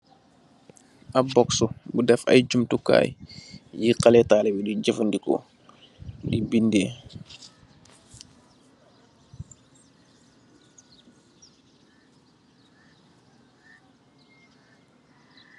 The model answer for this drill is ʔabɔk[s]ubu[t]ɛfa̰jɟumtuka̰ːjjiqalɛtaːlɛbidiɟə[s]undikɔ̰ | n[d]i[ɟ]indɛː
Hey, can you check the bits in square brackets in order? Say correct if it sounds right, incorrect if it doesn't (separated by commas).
correct, incorrect, incorrect, correct, incorrect